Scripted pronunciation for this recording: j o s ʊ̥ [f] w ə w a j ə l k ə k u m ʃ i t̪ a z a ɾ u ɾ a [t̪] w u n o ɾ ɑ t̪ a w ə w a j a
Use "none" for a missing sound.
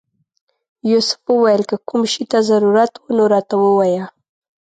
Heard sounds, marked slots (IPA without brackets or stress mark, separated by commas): f, t̪